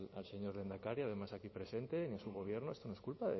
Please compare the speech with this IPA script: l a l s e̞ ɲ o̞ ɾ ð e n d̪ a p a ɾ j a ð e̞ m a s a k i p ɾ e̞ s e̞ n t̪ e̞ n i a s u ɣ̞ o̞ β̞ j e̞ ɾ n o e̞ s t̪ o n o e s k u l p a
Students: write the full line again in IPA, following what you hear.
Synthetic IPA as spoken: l a l s e̞ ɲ o̞ ɾ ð e n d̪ a k a ɾ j a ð e̞ m a s a k i p ɾ e̞ s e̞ n t̪ e̞ n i a s u ɣ̞ o̞ β̞ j e̞ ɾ n o e̞ s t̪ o n o e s k u l p a